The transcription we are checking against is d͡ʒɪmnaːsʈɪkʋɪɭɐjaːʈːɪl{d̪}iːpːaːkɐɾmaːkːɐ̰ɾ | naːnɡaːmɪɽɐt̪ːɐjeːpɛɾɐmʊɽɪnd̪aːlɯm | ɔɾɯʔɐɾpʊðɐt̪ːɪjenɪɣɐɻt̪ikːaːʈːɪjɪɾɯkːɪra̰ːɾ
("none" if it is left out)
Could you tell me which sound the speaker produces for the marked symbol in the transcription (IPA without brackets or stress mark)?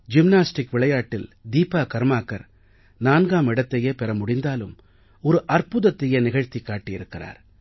d̪